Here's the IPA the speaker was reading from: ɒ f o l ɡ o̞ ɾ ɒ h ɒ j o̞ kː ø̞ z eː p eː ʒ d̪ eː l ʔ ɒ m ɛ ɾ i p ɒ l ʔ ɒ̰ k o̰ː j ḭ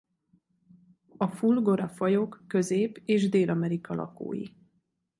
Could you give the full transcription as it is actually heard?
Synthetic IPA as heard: ɒ f u l ɡ o̞ ɾ ɒ f ɒ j o̞ kː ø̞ z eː p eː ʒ d̪ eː l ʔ ɒ m ɛ ɾ i k ɒ l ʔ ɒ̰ k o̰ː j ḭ